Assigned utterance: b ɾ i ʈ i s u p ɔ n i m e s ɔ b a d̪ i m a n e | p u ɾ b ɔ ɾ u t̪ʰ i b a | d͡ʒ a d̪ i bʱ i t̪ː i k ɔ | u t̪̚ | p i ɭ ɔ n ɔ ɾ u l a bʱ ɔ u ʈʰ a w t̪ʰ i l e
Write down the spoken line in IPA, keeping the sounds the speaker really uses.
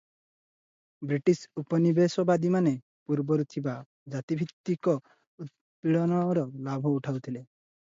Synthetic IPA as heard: b ɾ i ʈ i s u p ɔ n i b e s ɔ b a d̪ i m a n e | p u ɾ b ɔ ɾ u t̪ʰ i b a | d͡ʒ a t̪ i bʱ i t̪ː i k ɔ | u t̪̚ | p i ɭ ɔ n ɔ ɾ ɔ l a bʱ ɔ u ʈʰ a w t̪ʰ i l e